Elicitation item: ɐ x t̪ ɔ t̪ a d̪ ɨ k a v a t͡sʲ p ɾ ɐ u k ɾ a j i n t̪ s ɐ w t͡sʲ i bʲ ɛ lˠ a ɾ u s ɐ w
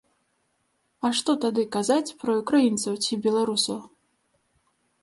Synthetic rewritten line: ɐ ʂ t̪ ɔ t̪ a d̪ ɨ k a z a t͡sʲ p ɾ ɐ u k ɾ a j i n t̪ s ɐ w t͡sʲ i bʲ ɛ lˠ a ɾ u s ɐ w